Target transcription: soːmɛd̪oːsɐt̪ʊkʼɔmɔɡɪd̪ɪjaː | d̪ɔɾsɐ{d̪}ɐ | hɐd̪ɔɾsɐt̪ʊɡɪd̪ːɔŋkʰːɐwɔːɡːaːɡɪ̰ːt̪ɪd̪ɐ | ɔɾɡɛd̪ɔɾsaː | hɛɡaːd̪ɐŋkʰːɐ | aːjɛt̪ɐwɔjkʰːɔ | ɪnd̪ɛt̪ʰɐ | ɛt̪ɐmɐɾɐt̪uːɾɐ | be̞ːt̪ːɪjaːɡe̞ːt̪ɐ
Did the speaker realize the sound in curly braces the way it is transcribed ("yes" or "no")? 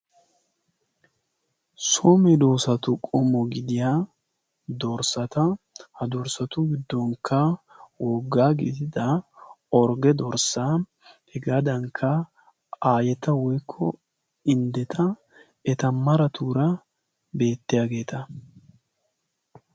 no